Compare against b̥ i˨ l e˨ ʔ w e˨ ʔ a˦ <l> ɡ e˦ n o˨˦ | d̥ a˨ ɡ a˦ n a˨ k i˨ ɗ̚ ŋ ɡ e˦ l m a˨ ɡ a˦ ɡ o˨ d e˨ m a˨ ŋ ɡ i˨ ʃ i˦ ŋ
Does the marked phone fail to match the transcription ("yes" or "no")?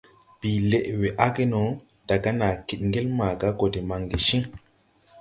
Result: yes